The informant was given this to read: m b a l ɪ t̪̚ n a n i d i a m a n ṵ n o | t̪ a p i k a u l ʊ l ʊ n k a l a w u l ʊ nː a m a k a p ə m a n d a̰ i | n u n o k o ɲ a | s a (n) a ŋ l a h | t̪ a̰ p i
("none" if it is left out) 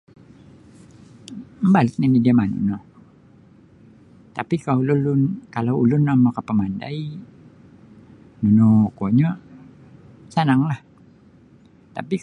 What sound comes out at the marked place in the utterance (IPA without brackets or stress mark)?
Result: n